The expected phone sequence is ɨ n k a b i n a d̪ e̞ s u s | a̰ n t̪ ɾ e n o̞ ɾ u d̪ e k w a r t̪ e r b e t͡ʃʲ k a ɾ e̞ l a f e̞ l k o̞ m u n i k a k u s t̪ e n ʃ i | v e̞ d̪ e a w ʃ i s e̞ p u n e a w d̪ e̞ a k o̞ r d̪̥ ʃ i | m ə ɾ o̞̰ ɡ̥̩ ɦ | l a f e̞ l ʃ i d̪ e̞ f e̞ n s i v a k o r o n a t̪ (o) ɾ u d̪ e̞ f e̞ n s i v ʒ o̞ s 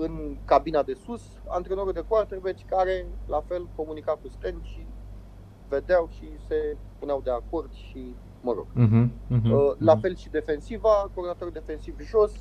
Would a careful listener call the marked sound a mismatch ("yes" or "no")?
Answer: no